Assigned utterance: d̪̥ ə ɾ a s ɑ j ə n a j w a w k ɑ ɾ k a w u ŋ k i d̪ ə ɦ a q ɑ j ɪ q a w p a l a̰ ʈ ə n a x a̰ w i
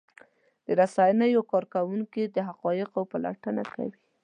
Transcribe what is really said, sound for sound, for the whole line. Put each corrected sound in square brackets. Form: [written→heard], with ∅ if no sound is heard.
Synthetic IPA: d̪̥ ə ɾ a s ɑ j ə n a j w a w k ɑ ɾ k a w u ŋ k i d̪ ə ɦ a q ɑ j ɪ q a w p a l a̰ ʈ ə n a [x→k] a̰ w i

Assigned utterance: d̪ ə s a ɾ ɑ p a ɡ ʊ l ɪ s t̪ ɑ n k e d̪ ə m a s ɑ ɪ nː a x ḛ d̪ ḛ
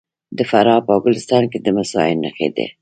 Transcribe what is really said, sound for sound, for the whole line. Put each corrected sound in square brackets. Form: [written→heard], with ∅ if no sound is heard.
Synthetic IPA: d̪ ə [s→f] a ɾ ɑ p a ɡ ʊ l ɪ s t̪ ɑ n k e d̪ ə m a s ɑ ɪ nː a x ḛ d̪ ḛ

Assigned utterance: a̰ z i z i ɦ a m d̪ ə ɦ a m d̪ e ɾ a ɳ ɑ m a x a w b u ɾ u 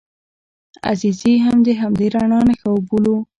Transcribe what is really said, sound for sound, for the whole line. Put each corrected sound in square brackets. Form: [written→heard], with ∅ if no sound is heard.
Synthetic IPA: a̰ z i z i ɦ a m d̪ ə ɦ a m d̪ e ɾ a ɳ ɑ [m→n] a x a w b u [ɾ→l] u

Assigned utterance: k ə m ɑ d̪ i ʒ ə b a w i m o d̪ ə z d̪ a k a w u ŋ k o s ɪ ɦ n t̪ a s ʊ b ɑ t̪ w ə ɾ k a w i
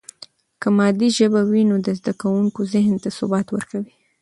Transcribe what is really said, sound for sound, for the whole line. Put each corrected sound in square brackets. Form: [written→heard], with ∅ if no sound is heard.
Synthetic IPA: k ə m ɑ d̪ i ʒ ə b a w i [m→n] o d̪ ə z d̪ a k a w u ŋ k o [s→z] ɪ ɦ n t̪ a s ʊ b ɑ t̪ w ə ɾ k a w i

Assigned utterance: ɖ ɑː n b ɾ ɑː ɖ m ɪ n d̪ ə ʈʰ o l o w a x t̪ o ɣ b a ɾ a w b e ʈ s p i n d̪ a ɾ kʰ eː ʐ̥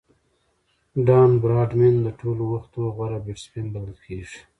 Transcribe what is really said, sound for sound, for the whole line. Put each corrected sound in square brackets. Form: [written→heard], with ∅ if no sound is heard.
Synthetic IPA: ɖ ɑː n b ɾ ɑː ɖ m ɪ n d̪ ə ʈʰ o l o w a x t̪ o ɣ [b→w] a ɾ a [w→∅] b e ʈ s p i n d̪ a [ɾ→l] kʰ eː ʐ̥

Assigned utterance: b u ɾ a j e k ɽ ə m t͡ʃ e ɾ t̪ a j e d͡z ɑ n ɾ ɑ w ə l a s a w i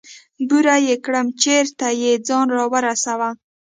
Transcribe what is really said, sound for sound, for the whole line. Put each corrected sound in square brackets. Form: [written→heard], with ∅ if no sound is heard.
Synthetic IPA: b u ɾ a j e k ɽ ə m t͡ʃ e ɾ t̪ a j e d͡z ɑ n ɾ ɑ w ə [l→ɾ] a s a w [i→a]

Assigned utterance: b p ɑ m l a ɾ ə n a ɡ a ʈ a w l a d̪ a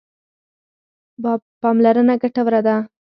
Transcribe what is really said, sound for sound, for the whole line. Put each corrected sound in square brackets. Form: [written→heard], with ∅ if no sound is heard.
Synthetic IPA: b p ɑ m l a ɾ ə n a ɡ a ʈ a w [l→ɾ] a d̪ a

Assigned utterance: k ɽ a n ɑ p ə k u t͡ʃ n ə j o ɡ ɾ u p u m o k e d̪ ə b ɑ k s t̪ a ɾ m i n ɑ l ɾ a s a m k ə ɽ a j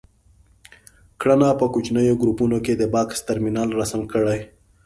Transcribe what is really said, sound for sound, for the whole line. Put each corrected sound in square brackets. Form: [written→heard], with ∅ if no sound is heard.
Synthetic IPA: k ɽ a n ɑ p ə k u t͡ʃ n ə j o ɡ ɾ u p u [m→n] o k e d̪ ə b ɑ k s t̪ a ɾ m i n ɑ l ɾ a s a m k ə ɽ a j

